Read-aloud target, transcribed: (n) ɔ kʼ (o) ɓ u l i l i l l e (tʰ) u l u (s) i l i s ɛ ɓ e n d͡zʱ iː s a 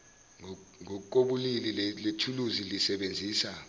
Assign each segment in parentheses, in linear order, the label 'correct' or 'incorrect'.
incorrect: ŋ, correct, correct, incorrect: z

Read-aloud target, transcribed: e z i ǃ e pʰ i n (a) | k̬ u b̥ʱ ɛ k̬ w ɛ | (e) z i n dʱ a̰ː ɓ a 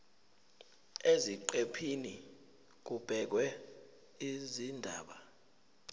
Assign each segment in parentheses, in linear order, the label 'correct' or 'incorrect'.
incorrect: i, incorrect: i

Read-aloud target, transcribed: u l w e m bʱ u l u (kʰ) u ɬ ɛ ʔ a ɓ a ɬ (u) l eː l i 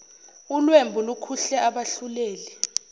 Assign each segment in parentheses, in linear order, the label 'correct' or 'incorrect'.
correct, correct

